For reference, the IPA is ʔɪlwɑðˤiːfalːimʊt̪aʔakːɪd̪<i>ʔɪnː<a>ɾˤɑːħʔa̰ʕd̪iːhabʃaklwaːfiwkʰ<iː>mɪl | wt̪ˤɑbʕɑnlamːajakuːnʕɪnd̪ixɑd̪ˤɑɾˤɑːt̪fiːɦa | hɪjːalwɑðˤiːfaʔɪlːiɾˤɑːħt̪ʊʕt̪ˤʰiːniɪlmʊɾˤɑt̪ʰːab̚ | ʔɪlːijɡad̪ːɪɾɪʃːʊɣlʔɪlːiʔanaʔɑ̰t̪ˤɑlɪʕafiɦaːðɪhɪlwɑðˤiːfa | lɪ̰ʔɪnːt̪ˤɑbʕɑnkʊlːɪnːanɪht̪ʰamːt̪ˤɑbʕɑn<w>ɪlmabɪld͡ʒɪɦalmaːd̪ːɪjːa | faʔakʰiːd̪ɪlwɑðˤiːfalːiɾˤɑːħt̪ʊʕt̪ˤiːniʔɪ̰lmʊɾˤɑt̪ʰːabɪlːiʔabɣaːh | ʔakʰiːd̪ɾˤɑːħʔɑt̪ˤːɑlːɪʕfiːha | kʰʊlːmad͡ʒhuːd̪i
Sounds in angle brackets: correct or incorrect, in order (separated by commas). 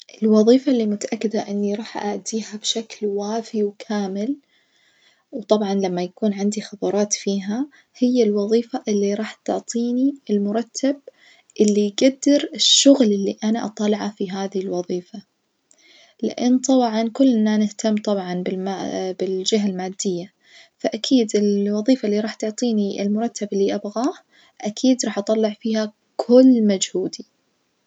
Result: incorrect, incorrect, incorrect, incorrect